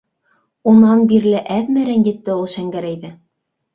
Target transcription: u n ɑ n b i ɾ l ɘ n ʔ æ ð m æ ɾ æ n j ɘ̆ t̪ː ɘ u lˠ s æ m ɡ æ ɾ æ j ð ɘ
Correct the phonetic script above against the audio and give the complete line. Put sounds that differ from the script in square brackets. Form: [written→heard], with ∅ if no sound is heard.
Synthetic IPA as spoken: u n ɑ n b i ɾ l ɘ [n→∅] ʔ æ ð m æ ɾ æ n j ɘ̆ t̪ː ɘ u lˠ [s→ʃ] æ [m→ŋ] ɡ æ ɾ æ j ð ɘ